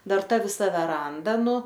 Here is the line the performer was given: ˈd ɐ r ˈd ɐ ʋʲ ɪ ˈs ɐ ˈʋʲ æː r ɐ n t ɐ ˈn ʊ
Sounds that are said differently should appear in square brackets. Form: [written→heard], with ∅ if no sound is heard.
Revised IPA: ˈd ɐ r [ˈd→ˈt] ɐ ʋʲ ɪ ˈs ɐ ˈʋʲ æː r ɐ n [t→d] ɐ ˈn ʊ